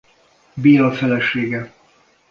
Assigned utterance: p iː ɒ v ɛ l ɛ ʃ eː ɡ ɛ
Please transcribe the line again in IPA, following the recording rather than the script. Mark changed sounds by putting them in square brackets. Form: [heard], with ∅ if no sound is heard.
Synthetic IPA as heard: [b] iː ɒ [f] ɛ l ɛ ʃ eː ɡ ɛ